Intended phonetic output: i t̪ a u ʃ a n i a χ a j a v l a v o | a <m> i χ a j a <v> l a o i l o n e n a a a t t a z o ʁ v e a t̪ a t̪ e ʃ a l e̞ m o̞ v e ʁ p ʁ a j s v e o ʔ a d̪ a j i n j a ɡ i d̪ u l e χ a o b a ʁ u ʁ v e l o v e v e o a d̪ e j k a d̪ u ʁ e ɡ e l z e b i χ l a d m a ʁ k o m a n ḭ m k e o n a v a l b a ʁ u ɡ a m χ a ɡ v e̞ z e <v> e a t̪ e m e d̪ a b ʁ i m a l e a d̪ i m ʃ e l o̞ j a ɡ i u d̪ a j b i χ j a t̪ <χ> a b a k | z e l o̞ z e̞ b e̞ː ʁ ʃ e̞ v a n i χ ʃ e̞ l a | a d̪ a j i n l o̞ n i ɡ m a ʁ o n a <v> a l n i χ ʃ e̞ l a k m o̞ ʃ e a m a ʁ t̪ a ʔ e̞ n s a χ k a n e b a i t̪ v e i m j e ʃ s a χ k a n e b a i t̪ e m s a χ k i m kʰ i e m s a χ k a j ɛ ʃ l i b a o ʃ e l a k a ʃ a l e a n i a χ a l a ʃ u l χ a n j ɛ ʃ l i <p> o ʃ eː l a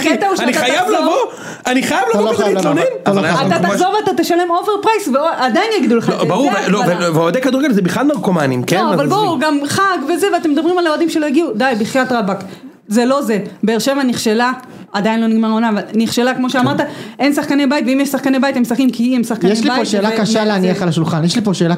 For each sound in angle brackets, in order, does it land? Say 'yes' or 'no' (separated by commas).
no, yes, yes, no, yes, yes